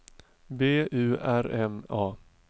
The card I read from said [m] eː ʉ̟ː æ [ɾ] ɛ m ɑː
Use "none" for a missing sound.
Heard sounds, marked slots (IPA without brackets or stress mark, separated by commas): b, ɾ